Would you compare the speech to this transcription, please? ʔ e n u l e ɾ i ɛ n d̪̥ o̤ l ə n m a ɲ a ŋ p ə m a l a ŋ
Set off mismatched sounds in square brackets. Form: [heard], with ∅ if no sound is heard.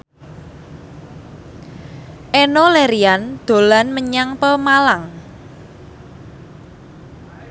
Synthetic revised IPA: ʔ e n [o] l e ɾ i [a] n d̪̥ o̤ l [a] n m [ə] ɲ a ŋ p ə m a l a ŋ